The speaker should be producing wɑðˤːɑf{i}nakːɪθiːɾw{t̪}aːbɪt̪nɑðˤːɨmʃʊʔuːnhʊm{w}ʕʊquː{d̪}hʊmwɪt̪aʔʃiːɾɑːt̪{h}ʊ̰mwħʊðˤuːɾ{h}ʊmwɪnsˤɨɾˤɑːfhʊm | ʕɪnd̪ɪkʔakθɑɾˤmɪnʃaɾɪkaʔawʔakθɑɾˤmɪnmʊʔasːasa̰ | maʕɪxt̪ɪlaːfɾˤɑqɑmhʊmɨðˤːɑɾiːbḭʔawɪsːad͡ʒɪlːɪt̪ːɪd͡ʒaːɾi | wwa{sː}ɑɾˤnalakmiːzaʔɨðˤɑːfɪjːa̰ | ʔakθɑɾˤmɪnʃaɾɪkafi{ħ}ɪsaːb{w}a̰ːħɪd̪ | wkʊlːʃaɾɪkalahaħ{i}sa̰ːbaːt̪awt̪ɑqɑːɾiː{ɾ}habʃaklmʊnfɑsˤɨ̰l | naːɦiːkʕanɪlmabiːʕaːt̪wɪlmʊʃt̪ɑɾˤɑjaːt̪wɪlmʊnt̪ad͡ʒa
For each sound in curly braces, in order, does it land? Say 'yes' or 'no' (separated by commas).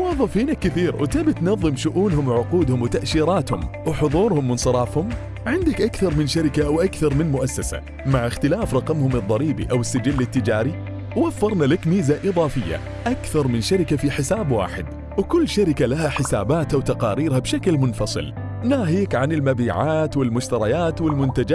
no, yes, yes, yes, yes, yes, no, yes, yes, no, yes